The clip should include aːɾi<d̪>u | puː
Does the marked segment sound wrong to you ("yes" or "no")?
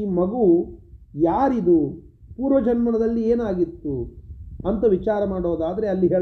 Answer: no